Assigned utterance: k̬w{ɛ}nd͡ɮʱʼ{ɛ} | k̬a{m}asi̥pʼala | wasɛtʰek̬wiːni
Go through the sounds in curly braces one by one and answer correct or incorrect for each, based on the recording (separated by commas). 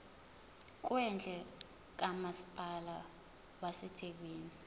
correct, correct, correct